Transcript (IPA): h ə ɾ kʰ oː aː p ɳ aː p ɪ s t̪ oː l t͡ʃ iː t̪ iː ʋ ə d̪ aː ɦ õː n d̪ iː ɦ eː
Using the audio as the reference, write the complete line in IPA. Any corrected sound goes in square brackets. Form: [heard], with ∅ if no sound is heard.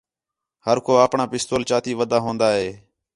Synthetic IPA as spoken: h ə ɾ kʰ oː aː p ɳ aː p ɪ s t̪ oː l t͡ʃ [aː] t̪ iː ʋ ə d̪ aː ɦ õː n d̪ [aː] ɦ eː